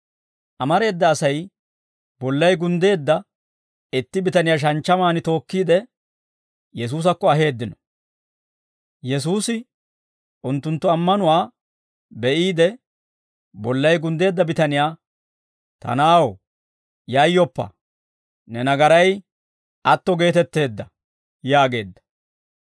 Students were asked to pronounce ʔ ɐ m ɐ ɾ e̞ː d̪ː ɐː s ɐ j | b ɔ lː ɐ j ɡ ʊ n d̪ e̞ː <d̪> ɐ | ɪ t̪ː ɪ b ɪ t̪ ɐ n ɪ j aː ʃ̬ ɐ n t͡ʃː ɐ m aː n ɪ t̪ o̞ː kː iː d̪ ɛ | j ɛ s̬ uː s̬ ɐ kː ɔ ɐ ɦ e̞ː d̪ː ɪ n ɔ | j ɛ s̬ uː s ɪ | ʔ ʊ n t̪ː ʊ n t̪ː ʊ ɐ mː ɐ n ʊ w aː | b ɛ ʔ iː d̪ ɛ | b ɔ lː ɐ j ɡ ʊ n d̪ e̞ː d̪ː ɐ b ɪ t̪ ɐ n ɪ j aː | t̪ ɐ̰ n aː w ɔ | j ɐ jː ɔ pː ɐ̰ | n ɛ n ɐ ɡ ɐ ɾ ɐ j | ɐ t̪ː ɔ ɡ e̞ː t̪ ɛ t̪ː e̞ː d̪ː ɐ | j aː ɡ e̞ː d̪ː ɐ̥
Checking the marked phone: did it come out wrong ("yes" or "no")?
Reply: yes